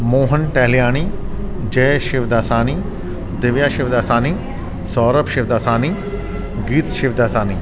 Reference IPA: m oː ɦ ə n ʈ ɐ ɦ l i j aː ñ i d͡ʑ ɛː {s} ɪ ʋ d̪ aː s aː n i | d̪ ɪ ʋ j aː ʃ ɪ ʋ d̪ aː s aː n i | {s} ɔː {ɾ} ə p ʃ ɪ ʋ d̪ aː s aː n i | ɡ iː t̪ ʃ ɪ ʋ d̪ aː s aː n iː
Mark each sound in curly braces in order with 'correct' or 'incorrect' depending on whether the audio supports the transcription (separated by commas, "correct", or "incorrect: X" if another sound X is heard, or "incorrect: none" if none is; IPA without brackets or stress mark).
incorrect: ʃ, correct, correct